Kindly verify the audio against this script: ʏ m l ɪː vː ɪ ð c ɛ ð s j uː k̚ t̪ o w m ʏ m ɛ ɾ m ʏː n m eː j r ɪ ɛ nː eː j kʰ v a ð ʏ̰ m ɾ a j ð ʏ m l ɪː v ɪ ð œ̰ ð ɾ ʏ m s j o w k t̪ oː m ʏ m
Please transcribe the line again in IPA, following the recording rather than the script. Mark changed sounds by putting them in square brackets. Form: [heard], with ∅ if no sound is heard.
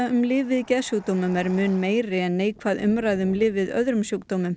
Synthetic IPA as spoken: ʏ m l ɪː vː ɪ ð c ɛ ð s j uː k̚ t̪ o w m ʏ m ɛ ɾ m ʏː n m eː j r ɪ ɛ nː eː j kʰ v a ð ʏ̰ m ɾ a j ð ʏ m l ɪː v ɪ ð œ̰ ð ɾ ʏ m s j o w k t̪ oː m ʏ m